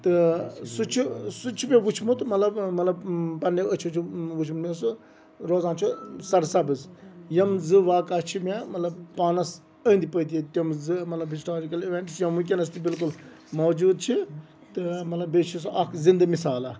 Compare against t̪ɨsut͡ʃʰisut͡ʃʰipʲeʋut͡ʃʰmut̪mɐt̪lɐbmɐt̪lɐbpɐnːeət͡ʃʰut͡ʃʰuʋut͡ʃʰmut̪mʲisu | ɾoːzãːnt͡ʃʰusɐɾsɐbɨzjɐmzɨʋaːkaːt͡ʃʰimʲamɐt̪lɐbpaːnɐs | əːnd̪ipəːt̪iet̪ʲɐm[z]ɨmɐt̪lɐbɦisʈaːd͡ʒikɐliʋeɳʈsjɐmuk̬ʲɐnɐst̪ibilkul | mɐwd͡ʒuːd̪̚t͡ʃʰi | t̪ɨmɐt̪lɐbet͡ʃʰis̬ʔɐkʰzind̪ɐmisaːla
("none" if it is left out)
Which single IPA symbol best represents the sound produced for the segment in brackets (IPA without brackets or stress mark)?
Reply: z